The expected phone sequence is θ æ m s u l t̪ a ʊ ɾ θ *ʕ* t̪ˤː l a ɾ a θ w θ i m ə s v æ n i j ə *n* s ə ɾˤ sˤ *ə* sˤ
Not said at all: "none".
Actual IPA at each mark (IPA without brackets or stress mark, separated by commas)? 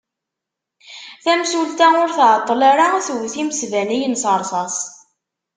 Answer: ʕ, n, ɑ